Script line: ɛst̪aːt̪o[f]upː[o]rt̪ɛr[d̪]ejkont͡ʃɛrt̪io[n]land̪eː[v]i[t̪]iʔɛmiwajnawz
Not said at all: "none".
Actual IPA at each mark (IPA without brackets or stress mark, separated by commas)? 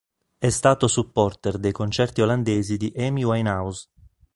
s, ɔ, d̪, none, z, d̪